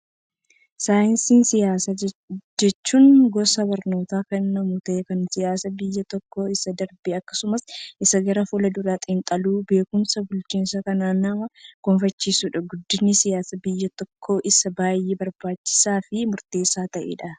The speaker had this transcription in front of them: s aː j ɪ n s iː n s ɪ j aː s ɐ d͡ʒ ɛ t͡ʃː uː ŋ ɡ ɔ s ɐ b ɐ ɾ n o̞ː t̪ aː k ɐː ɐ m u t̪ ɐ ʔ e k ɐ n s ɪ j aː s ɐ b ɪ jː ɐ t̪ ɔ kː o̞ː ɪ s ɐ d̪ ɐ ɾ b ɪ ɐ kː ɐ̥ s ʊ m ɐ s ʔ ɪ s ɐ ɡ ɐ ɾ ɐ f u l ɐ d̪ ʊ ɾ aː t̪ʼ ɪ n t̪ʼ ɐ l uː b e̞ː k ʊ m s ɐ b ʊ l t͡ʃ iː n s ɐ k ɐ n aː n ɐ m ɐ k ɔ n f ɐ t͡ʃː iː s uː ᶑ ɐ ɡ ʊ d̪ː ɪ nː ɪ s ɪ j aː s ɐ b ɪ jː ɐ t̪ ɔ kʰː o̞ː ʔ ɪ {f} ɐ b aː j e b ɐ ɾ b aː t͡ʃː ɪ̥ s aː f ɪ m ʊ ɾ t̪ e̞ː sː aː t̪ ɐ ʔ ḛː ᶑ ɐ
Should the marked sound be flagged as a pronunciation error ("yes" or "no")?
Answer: yes